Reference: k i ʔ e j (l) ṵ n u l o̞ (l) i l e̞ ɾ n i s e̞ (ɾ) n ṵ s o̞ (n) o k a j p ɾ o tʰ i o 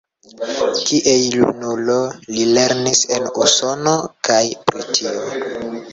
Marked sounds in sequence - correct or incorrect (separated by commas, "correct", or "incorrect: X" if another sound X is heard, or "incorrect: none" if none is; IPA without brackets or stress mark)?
correct, correct, incorrect: none, correct